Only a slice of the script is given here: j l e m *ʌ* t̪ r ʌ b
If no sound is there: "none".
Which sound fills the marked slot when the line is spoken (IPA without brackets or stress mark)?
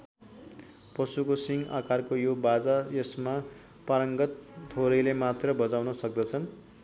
a